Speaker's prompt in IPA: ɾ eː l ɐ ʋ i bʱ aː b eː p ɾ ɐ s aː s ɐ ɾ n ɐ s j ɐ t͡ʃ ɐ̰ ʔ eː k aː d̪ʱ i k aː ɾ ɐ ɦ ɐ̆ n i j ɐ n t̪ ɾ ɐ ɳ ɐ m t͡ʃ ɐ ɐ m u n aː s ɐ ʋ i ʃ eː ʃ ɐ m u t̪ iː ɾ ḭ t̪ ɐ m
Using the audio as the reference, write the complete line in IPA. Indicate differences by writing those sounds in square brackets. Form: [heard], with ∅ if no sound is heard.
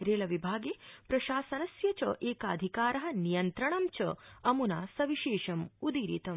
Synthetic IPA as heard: ɾ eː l ɐ ʋ i bʱ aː [ɡ] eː p ɾ ɐ [ʃ] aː s ɐ [∅] n ɐ s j ɐ t͡ʃ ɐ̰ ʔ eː k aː d̪ʱ i k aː ɾ ɐ ɦ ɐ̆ n i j ɐ n t̪ ɾ ɐ ɳ ɐ m t͡ʃ ɐ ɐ m u n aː s ɐ ʋ i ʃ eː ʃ ɐ m u [d̪] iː ɾ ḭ t̪ ɐ m